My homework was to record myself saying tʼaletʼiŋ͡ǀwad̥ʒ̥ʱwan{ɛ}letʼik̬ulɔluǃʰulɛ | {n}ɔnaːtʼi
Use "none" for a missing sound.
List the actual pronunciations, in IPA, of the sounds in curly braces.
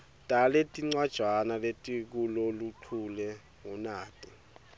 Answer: a, ŋ

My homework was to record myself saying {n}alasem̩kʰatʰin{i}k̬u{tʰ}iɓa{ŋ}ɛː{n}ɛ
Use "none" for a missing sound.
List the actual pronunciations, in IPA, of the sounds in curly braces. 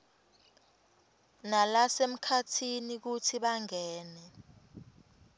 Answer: n, i, tʰ, ŋ, n

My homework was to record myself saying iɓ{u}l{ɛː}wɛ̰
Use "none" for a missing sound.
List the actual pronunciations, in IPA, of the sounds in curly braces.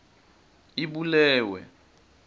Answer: u, ɛː

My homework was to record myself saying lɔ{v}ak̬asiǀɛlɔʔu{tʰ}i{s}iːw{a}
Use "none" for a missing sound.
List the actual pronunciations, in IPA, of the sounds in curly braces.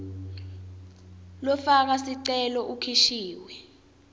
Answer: f, kʰ, ʃ, ɛ

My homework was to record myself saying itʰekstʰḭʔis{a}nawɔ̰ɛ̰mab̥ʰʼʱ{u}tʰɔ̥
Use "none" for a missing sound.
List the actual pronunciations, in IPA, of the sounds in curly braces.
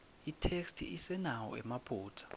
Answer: ɛ, uː

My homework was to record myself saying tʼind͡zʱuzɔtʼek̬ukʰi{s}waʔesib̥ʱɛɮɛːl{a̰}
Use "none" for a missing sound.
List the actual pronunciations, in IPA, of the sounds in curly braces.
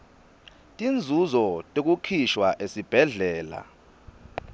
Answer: ʃ, a̰

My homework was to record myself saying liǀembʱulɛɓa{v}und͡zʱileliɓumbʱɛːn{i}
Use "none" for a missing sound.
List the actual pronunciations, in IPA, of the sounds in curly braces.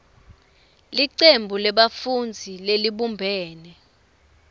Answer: f, ɛ

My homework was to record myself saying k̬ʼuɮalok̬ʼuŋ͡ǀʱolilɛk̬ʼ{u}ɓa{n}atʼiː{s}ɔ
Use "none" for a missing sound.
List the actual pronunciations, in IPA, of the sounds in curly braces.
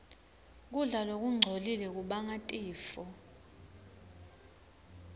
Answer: u, ŋ, f

